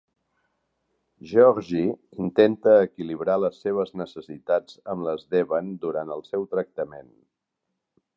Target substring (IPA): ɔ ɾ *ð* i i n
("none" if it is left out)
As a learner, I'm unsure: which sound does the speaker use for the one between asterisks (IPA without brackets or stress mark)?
ʒ